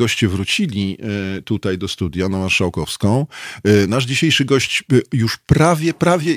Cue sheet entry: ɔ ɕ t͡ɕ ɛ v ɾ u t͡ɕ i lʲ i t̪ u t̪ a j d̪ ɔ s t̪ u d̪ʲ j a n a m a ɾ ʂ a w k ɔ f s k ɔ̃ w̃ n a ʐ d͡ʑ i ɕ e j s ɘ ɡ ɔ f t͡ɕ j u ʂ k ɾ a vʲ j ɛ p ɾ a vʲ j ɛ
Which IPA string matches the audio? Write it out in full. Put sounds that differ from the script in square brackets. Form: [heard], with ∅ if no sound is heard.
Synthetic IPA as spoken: ɔ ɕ t͡ɕ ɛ v ɾ u t͡ɕ i lʲ i t̪ u t̪ a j d̪ ɔ s t̪ u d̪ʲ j a n a m a ɾ ʂ a w k ɔ f s k ɔ̃ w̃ n a ʐ d͡ʑ i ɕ e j [ʂ] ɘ ɡ ɔ [ɕ] t͡ɕ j u ʂ [p] ɾ a vʲ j ɛ p ɾ a vʲ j ɛ